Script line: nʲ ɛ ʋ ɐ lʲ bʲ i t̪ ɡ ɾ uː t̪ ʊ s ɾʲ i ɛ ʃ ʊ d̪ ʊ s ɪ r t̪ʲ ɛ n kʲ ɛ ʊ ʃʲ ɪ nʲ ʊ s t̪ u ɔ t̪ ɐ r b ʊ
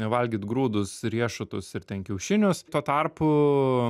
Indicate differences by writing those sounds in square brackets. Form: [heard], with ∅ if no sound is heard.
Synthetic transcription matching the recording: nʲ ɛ ʋ ɐ lʲ [ɡʲ] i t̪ ɡ ɾ uː [d̪] ʊ s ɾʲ i ɛ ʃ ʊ [t̪] ʊ s ɪ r t̪ʲ ɛ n kʲ ɛ ʊ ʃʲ ɪ nʲ ʊ s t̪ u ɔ t̪ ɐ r [p] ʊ